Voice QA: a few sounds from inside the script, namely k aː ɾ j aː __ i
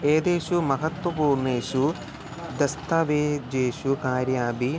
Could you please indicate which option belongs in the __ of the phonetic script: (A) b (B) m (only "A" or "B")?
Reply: A